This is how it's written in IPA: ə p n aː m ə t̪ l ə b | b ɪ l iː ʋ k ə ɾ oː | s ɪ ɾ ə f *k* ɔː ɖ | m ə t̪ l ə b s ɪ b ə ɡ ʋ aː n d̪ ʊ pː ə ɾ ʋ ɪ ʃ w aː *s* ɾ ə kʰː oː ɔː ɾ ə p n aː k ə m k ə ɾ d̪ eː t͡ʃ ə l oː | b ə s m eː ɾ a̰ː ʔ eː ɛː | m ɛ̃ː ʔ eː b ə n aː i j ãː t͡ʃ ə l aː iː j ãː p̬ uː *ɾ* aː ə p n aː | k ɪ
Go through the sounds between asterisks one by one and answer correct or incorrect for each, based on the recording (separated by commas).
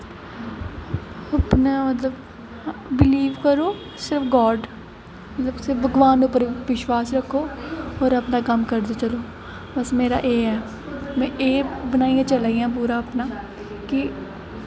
incorrect, correct, correct